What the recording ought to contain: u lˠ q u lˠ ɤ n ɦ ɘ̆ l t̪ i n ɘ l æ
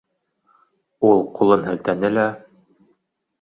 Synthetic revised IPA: u lˠ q u lˠ ɤ n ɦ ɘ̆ l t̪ æ n ɘ l æ